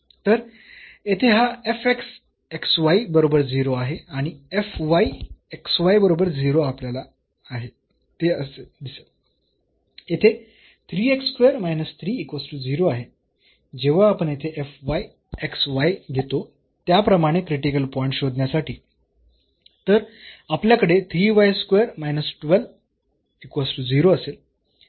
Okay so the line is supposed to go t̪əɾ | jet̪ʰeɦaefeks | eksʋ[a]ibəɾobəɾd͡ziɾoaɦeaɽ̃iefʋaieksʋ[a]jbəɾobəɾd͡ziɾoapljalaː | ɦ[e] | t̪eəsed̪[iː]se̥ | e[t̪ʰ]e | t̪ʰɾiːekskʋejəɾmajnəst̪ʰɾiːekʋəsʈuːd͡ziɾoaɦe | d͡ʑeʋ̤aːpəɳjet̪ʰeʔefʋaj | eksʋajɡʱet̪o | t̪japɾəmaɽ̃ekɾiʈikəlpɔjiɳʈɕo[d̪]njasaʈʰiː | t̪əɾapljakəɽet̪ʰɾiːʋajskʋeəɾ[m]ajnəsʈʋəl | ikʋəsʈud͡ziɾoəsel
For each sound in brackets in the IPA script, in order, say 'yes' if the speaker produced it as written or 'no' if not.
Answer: yes, yes, yes, no, yes, yes, yes

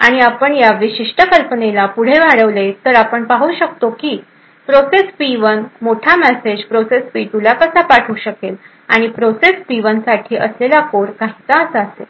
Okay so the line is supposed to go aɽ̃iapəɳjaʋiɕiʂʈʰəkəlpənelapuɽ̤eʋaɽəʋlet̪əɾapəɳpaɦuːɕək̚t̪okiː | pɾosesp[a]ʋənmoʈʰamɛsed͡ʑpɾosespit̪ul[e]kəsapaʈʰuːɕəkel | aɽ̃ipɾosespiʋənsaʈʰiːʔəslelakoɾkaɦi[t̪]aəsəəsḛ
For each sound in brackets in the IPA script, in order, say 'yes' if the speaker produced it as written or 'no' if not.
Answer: no, no, yes

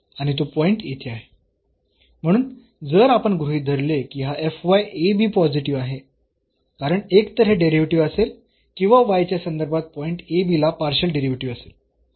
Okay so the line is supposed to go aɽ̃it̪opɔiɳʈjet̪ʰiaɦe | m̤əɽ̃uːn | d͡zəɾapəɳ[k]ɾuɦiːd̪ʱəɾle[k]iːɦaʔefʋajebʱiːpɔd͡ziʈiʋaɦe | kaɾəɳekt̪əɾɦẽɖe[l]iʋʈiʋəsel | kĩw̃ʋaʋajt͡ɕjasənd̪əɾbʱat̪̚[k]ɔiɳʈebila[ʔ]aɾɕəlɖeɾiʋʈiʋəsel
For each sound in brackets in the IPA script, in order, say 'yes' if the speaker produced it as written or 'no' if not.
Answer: no, yes, no, no, no

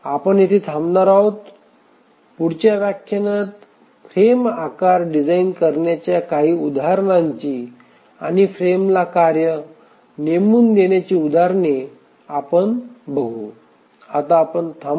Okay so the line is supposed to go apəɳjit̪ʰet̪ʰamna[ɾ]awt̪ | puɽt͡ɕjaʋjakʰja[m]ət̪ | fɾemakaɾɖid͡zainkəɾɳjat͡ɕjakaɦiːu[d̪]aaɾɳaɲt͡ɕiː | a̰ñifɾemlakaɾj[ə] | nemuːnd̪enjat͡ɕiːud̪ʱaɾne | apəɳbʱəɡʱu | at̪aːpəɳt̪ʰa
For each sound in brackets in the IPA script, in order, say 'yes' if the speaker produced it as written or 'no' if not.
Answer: yes, no, yes, yes

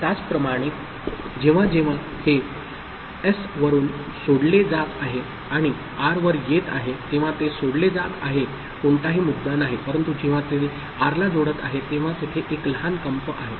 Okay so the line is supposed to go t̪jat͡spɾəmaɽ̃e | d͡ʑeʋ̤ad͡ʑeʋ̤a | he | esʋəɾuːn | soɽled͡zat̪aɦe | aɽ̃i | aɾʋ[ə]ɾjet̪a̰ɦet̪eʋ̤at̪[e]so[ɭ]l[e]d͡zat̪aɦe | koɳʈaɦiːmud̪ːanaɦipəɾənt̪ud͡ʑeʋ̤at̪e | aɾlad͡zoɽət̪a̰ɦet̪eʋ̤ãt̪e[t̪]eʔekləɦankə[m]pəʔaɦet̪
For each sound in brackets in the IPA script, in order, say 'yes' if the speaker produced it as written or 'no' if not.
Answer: yes, yes, no, yes, no, yes

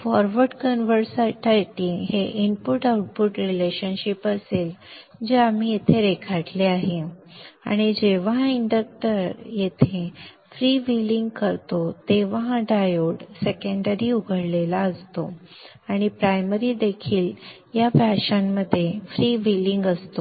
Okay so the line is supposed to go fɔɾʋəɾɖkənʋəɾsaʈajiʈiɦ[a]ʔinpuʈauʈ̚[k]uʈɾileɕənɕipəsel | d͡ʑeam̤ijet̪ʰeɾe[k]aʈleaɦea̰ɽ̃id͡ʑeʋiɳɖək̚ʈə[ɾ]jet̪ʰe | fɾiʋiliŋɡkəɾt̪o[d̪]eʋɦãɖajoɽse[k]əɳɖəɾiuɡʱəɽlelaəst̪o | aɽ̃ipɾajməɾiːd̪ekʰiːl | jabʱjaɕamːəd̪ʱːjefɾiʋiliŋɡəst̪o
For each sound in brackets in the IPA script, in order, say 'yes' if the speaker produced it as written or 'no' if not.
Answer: no, no, no, yes, no, yes

